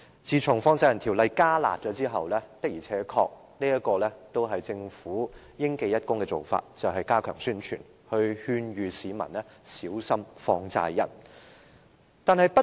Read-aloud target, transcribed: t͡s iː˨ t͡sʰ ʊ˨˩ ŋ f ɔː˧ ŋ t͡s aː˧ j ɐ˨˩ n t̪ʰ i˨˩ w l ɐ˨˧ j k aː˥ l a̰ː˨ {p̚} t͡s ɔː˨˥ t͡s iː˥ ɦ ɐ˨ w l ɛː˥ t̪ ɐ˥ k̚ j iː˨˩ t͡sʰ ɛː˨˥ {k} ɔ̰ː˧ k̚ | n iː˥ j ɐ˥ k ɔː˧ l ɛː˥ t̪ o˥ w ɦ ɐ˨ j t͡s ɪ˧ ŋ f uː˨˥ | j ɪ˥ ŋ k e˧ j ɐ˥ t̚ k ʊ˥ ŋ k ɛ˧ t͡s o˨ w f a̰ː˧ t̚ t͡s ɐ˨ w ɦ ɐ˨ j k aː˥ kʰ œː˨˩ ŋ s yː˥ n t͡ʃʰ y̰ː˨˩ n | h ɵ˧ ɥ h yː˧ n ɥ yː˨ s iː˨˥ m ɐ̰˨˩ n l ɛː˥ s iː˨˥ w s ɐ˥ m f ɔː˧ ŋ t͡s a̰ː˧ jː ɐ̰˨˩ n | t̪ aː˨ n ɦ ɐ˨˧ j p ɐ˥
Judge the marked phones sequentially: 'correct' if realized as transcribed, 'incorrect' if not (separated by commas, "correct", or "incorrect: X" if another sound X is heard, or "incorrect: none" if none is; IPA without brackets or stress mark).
incorrect: t̚, incorrect: kʰ